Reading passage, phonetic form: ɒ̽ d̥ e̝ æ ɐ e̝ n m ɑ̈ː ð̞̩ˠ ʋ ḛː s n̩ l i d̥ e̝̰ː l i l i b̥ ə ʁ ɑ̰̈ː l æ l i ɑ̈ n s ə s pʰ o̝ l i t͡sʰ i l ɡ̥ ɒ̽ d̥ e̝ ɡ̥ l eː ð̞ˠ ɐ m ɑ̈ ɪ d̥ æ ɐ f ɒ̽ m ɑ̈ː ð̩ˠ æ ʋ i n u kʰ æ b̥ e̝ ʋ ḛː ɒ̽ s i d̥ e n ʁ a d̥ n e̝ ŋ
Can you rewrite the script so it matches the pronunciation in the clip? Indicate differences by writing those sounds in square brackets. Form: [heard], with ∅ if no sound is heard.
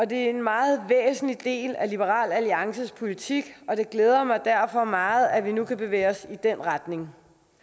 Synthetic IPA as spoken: ɒ̽ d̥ e̝ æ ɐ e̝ n m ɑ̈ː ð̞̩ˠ ʋ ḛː s n̩ l i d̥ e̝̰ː l [æ] l i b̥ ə ʁ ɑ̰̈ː l æ l i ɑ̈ [ŋ] s ə s pʰ o̝ l i t͡sʰ i [∅] ɡ̥ ɒ̽ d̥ e̝ ɡ̥ l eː ð̞ˠ ɐ m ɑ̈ ɪ d̥ æ ɐ f ɒ̽ m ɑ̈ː ð̩ˠ æ ʋ i n u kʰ æ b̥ e̝ ʋ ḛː ɒ̽ s i d̥ e n ʁ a d̥ n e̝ ŋ